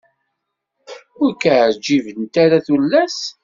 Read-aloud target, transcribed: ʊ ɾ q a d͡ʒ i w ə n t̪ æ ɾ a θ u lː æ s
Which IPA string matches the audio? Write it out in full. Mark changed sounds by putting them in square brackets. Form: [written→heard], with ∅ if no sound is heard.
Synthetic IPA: ʊ ɾ [q→k] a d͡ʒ i [w→v] ə n t̪ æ ɾ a θ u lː æ s